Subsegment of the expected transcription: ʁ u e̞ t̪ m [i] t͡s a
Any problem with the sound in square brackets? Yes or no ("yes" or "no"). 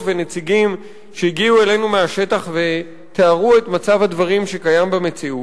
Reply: yes